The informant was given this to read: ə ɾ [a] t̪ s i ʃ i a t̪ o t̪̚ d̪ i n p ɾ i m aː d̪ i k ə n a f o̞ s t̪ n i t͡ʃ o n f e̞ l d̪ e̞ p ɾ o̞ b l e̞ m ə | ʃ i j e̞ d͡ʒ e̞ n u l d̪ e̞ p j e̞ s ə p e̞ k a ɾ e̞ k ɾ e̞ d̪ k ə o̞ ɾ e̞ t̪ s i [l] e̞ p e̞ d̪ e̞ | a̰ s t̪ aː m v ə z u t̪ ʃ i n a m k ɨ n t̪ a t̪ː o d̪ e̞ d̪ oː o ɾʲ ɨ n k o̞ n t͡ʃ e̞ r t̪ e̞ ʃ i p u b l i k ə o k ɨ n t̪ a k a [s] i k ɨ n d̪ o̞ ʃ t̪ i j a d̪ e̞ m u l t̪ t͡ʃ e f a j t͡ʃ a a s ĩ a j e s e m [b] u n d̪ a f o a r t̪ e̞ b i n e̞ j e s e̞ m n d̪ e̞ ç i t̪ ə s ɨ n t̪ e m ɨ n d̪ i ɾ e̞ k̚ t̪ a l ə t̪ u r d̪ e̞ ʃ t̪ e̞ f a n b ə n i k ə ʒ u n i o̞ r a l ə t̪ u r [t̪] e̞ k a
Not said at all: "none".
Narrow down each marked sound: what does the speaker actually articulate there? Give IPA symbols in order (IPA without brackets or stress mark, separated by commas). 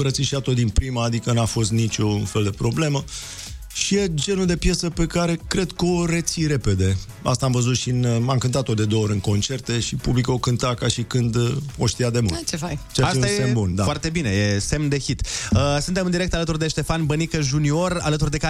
ə, ɾ, ʃ, b, d̪